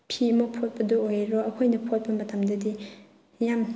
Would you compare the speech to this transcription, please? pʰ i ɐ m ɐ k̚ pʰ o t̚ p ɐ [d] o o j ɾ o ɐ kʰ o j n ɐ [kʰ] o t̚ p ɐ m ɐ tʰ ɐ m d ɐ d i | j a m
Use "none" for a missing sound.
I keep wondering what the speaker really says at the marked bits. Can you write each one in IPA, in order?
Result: d, pʰ

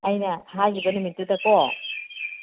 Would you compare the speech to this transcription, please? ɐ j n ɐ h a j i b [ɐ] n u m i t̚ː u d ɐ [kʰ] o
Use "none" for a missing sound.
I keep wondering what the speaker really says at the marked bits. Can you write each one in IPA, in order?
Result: ɐ, k

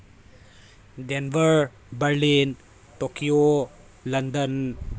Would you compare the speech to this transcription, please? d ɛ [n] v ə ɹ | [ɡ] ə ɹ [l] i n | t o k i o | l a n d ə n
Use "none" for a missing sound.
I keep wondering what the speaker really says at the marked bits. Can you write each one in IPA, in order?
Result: n, b, l

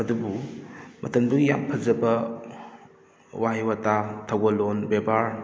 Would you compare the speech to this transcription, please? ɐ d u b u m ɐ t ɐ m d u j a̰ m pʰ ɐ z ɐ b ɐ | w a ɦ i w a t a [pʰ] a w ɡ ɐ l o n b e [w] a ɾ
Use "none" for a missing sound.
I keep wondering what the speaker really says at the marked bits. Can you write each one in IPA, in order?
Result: tʰ, b

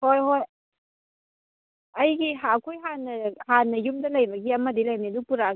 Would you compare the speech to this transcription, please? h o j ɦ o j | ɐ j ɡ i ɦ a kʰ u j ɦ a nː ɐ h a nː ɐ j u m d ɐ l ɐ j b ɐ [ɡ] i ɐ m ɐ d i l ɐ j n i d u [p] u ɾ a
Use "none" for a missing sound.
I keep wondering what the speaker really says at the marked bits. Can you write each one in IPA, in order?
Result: ɡ, p

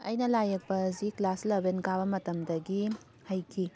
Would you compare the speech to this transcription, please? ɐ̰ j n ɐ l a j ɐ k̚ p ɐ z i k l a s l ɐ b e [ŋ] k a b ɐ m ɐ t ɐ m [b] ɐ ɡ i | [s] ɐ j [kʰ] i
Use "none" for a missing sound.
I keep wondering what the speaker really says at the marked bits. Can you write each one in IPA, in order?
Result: n, d, h, kʰ

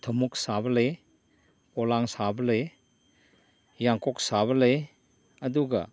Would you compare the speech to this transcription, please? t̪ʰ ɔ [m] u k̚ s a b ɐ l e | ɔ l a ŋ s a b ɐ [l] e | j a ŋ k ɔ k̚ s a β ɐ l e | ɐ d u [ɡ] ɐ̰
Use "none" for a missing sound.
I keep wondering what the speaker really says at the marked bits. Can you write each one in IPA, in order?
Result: m, l, ɡ

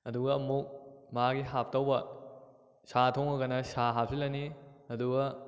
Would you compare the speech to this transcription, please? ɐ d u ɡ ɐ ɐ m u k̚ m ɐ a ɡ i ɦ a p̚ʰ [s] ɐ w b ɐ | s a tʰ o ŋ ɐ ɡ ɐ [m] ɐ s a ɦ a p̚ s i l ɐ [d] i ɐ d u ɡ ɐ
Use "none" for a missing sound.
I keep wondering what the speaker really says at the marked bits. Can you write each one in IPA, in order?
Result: t, n, n

